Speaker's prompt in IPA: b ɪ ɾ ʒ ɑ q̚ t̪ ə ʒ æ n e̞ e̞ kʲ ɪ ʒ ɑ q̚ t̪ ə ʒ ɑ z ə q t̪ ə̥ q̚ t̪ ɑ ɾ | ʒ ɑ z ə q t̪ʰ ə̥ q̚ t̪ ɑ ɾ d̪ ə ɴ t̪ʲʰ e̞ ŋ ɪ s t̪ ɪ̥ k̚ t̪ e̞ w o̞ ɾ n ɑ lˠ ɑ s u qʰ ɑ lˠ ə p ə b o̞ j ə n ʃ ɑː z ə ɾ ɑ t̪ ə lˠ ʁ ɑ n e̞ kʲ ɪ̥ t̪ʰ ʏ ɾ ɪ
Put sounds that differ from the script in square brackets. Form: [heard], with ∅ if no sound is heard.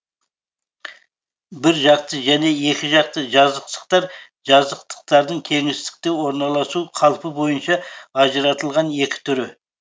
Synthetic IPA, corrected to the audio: b ɪ ɾ ʒ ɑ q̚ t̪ ə ʒ æ n e̞ e̞ kʲ ɪ ʒ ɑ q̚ t̪ ə ʒ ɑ z ə q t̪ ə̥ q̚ t̪ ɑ ɾ | ʒ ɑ z ə q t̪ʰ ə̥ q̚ t̪ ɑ ɾ d̪ ə ɴ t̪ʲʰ e̞ ŋ ɪ s t̪ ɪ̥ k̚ t̪ e̞ w o̞ ɾ n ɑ lˠ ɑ s u qʰ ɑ lˠ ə p ə b o̞ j ə n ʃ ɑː [ʒ] ə ɾ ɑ t̪ ə lˠ ʁ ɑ n e̞ kʲ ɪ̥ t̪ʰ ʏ ɾ ɪ